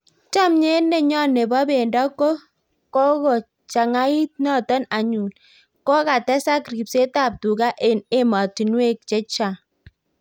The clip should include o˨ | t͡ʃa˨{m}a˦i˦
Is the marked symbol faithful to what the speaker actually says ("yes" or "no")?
no